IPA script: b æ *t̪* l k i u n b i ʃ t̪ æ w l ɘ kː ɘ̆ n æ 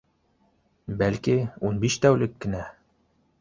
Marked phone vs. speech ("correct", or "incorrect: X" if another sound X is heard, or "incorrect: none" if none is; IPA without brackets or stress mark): incorrect: none